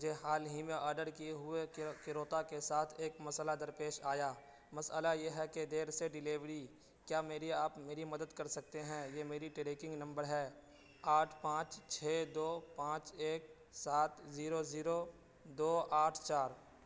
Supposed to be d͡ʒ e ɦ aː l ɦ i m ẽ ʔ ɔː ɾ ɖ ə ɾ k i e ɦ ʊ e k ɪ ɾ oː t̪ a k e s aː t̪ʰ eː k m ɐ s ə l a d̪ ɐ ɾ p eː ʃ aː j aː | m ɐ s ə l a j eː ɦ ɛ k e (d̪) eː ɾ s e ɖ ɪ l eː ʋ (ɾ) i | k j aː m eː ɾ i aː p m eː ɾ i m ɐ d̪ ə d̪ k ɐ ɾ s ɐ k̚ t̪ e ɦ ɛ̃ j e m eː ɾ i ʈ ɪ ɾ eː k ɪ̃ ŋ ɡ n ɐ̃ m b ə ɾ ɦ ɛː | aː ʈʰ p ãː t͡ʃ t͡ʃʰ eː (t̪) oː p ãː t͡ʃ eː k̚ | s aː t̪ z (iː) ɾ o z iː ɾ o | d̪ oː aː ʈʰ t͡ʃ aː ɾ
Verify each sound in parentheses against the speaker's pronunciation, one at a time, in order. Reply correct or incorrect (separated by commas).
correct, correct, incorrect, correct